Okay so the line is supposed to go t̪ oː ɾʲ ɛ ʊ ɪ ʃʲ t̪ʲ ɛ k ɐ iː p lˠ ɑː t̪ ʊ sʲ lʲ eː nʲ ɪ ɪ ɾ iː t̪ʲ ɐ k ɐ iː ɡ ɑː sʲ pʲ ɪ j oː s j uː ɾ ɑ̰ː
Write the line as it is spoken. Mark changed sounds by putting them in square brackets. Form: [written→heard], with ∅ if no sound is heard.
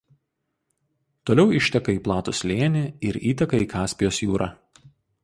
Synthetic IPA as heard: t̪ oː [ɾʲ→lʲ] ɛ ʊ ɪ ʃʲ t̪ʲ ɛ k ɐ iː p lˠ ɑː t̪ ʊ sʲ lʲ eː nʲ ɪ ɪ ɾ iː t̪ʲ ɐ k ɐ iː [ɡ→k] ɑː sʲ pʲ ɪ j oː s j uː ɾ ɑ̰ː